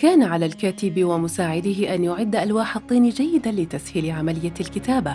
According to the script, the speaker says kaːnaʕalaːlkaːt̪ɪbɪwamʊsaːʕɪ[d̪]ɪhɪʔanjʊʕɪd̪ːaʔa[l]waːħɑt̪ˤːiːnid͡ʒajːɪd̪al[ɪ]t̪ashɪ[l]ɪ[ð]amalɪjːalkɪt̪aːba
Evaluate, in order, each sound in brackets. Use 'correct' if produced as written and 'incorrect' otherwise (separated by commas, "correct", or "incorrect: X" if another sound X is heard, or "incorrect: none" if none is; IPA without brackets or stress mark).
correct, correct, correct, correct, incorrect: ʕ